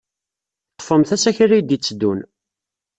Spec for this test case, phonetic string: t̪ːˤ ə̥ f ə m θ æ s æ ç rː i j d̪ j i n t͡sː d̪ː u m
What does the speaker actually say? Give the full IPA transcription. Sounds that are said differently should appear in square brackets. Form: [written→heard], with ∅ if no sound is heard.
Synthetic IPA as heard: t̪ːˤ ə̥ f ə m θ æ s æ ç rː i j d̪ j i [n→∅] t͡sː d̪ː u [m→n]